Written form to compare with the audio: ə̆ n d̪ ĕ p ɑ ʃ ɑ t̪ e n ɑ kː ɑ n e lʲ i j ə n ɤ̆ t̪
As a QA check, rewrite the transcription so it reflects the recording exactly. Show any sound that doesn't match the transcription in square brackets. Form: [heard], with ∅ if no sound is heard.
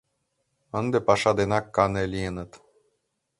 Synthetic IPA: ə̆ n d̪ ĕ p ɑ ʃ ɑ [d̪] e n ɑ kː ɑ n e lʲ i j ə n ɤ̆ t̪